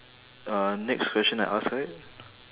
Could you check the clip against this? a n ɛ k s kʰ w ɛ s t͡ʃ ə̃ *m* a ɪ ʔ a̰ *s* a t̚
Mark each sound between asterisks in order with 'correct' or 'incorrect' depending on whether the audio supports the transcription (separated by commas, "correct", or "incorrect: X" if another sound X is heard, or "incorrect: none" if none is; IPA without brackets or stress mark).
incorrect: n, correct